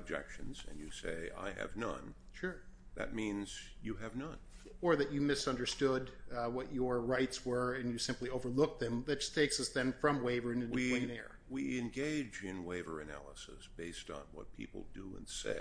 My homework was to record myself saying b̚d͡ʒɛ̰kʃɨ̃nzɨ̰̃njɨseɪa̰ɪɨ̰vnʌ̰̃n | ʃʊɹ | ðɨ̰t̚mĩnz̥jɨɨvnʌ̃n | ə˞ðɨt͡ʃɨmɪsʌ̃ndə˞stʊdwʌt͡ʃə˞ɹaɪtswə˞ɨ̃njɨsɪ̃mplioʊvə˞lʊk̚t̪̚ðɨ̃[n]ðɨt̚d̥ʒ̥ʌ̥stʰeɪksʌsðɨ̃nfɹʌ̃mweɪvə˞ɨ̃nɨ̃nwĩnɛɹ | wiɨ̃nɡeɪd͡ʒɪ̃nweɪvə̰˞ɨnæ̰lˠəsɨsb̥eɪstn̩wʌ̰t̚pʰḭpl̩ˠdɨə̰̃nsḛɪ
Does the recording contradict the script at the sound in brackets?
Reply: yes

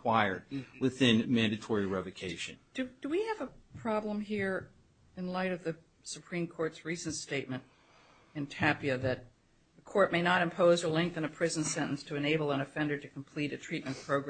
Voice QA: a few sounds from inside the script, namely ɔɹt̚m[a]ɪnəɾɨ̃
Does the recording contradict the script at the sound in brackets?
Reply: yes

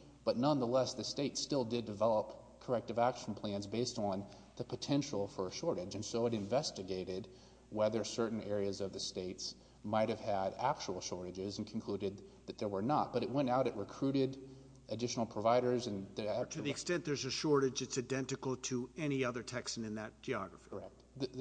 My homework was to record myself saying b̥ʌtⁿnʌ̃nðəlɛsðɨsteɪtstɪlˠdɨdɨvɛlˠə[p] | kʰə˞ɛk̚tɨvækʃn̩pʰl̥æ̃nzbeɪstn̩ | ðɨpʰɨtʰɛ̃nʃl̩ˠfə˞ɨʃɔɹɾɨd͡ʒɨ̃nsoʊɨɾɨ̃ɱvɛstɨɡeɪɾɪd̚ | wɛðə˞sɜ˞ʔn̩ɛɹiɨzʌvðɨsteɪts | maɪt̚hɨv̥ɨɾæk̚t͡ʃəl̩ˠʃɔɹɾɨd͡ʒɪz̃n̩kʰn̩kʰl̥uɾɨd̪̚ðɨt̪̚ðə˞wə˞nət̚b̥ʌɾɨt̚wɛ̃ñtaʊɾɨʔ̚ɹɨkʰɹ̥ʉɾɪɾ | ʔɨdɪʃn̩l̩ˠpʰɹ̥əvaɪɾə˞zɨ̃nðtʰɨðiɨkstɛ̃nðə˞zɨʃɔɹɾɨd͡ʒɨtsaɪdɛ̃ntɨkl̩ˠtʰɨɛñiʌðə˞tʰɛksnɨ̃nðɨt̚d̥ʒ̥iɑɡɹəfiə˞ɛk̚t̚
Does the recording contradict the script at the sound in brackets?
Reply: no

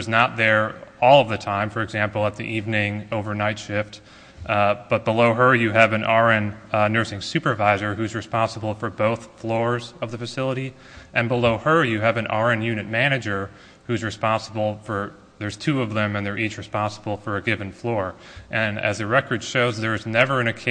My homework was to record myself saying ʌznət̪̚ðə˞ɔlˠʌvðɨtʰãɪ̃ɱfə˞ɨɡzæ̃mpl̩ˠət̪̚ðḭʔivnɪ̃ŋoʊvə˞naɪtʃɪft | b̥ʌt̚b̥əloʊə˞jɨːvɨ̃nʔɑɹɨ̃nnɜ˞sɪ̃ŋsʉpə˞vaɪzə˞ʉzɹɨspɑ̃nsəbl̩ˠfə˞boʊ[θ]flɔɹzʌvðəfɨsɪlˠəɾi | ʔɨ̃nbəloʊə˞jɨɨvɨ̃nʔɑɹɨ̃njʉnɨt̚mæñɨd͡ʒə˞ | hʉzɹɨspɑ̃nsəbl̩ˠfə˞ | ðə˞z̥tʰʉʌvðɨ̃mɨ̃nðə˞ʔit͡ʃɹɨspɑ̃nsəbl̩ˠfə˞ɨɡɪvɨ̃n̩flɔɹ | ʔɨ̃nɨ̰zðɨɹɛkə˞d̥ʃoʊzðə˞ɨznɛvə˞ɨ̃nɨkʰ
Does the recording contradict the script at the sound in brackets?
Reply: no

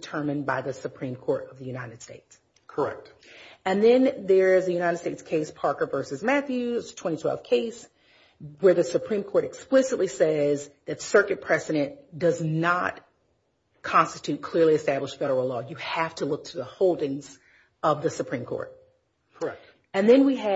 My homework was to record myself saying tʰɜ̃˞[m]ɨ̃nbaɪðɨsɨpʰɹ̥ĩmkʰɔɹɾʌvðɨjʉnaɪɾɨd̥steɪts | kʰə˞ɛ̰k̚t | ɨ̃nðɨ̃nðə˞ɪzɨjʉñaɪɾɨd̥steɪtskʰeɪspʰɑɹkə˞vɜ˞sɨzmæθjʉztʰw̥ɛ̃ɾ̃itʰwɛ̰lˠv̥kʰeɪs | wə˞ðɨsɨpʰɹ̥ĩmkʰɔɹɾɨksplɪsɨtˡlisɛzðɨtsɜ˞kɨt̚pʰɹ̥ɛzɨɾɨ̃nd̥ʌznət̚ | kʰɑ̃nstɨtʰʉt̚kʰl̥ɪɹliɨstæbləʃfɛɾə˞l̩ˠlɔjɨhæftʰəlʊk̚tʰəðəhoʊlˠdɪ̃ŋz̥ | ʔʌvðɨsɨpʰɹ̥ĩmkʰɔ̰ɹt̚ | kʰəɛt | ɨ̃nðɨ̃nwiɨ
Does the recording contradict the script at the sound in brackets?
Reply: no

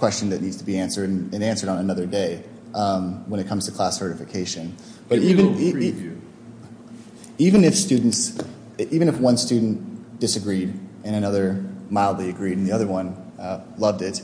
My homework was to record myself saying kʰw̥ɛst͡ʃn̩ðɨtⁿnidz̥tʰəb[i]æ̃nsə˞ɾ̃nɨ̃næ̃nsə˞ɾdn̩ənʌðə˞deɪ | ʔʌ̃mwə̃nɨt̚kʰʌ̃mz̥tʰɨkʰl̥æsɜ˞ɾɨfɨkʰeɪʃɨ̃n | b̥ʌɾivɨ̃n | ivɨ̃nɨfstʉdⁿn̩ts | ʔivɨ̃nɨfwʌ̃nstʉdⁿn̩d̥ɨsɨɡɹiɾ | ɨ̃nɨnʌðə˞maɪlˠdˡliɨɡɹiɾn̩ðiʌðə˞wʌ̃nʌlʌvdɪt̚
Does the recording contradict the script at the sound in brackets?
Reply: no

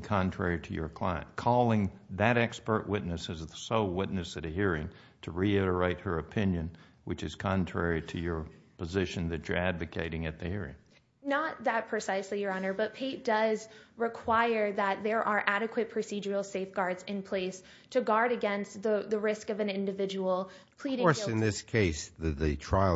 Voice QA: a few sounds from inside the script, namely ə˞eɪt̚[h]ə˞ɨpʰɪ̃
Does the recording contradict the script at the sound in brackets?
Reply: no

